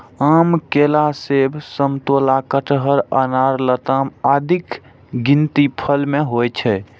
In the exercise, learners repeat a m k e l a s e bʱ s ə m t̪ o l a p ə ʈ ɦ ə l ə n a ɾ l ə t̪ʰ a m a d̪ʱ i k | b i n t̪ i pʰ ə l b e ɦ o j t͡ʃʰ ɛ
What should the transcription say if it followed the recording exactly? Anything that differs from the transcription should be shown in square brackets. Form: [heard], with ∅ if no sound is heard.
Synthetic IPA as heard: a m k e l a s e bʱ s ə m t̪ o l a [k] ə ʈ ɦ ə [ɾ] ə n a ɾ l ə [t̪] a m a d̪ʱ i k | [ɡ] i n t̪ i pʰ ə l [m] e ɦ o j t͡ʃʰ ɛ